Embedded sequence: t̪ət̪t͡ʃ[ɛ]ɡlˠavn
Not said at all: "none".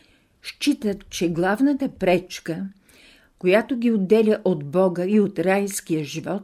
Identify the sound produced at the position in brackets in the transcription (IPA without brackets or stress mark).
ɛ